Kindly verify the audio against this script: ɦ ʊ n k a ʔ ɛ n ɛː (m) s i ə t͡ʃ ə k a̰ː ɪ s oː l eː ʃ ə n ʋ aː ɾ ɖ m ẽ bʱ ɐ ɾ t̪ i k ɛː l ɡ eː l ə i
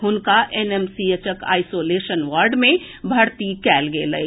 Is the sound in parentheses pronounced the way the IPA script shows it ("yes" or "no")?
yes